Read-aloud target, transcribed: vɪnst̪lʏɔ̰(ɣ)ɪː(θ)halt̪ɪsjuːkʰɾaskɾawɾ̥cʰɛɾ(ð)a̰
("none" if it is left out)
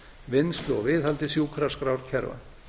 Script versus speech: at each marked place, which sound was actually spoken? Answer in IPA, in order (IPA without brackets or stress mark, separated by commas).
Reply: v, ð, v